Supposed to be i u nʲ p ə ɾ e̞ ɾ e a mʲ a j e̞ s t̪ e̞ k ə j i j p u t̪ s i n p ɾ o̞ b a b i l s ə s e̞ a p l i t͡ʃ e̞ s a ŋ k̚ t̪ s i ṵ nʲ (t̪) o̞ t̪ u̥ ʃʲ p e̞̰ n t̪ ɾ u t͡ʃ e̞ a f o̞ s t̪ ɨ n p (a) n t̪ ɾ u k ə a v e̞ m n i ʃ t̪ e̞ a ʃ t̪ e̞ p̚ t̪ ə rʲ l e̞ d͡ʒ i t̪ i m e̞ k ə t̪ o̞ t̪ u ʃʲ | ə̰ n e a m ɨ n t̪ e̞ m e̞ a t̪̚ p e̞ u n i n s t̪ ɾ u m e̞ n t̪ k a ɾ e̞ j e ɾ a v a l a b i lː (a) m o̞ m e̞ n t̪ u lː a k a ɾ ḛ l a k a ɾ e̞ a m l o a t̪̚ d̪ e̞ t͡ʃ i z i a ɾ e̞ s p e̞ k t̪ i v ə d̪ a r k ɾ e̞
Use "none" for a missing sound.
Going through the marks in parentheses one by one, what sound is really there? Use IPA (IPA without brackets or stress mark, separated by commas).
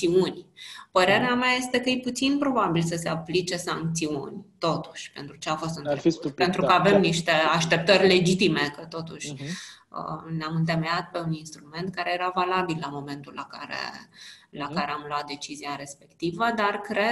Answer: t̪, e, a